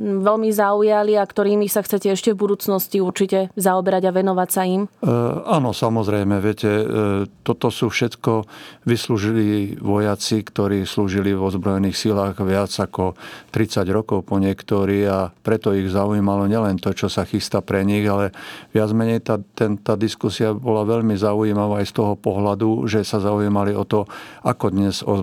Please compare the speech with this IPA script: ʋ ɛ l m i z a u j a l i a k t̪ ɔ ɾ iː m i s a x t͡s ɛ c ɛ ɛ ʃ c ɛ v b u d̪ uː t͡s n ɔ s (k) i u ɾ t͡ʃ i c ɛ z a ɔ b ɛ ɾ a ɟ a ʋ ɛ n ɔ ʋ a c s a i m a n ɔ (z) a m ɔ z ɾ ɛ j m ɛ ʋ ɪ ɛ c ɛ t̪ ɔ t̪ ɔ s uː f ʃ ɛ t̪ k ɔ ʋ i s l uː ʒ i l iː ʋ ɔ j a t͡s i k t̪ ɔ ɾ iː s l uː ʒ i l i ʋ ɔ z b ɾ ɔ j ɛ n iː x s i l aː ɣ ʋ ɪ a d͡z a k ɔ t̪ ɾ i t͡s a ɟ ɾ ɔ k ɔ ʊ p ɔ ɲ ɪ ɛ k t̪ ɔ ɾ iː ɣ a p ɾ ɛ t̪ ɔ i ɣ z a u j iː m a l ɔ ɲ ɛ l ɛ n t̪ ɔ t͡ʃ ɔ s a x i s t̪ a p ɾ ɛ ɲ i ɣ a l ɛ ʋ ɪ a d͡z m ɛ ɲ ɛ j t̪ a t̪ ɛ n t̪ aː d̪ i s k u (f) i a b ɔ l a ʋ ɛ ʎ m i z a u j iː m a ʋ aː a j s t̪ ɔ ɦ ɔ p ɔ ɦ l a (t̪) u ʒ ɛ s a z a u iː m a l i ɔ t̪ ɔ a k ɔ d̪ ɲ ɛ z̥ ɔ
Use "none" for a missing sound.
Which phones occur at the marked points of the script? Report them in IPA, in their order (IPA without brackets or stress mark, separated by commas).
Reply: c, s, s, d̪